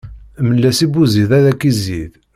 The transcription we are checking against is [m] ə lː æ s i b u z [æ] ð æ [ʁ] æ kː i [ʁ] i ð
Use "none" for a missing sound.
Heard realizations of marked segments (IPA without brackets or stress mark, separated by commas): m, i, ð, z